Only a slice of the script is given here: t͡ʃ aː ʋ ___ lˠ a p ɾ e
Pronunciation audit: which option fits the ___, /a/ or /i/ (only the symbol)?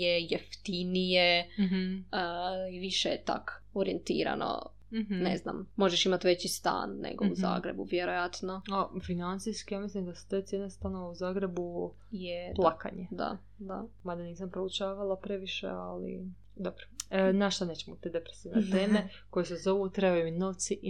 a